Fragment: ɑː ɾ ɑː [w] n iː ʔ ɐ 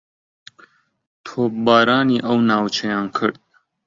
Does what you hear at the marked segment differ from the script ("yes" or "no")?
yes